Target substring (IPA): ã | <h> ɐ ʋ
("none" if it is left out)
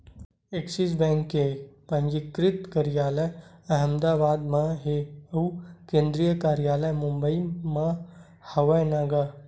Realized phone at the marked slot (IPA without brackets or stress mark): h